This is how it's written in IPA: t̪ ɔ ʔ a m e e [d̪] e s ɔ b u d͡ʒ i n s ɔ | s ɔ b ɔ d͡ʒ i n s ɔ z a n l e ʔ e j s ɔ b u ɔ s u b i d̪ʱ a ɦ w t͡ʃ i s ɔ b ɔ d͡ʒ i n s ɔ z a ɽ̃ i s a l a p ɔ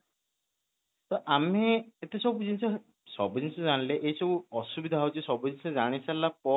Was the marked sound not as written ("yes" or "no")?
yes